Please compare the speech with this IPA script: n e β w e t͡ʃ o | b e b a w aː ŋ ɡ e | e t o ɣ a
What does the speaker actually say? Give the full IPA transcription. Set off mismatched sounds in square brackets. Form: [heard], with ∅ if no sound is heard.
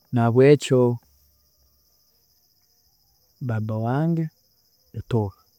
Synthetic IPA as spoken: n [a] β w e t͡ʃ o | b [a] b a w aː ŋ ɡ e | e t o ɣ a